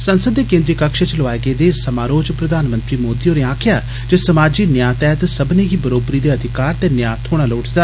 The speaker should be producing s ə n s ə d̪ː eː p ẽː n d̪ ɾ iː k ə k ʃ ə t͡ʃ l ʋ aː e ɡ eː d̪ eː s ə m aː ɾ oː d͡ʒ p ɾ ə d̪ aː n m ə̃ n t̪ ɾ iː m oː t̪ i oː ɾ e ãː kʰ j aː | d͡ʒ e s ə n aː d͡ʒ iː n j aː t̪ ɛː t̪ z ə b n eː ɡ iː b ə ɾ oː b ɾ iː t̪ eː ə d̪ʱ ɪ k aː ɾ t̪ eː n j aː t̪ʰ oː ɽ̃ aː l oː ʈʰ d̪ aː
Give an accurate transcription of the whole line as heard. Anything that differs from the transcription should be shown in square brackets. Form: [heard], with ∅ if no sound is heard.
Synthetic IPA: s ə n s ə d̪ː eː [k] ẽː n d̪ ɾ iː k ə k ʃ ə t͡ʃ l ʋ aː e ɡ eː d̪ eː s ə m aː ɾ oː d͡ʒ p ɾ ə d̪ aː n m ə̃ n t̪ ɾ iː m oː [d̪] i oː ɾ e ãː kʰ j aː | d͡ʒ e s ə [m] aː d͡ʒ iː n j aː t̪ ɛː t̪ [s] ə b n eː ɡ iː b ə ɾ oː b ɾ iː [d̪] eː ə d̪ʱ ɪ k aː ɾ t̪ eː n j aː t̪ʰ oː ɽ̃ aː l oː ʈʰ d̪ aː